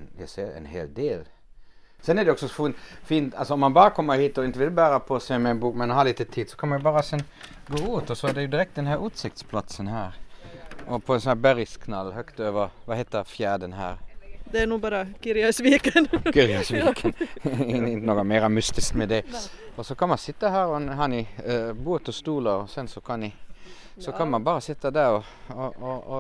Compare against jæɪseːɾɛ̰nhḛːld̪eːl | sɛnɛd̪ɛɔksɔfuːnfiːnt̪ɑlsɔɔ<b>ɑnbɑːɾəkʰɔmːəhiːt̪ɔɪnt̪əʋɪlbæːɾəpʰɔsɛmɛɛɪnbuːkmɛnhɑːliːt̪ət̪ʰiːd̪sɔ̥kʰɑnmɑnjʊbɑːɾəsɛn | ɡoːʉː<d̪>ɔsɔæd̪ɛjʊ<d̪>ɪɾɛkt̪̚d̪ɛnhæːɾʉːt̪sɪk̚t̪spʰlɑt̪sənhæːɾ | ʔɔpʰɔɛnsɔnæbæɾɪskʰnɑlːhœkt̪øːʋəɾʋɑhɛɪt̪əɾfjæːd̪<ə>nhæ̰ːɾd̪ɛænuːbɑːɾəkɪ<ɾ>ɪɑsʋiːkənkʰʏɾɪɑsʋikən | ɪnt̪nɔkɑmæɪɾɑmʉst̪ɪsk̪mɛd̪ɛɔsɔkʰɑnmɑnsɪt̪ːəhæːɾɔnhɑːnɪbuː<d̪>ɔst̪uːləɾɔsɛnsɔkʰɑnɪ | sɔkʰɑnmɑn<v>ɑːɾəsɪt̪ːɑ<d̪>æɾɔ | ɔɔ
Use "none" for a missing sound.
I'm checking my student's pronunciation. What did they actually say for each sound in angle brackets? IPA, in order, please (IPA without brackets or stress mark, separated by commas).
m, t̪, d̪, ə, ɾ, t̪, b, d̪